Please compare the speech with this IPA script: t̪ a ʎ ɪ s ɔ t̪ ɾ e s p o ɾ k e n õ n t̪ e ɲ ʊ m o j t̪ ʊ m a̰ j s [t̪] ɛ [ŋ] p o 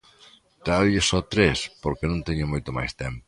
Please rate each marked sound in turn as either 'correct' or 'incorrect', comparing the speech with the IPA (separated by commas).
correct, incorrect